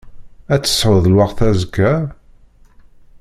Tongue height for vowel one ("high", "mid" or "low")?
low